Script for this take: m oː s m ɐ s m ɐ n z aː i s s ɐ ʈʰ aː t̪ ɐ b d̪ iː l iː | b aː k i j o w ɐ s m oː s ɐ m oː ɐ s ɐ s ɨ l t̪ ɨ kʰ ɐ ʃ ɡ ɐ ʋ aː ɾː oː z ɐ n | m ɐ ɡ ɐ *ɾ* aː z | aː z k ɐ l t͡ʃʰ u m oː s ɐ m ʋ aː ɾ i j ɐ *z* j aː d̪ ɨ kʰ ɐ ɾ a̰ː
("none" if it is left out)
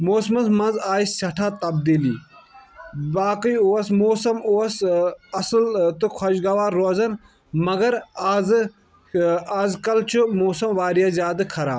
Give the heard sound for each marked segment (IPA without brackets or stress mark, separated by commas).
ɾ, z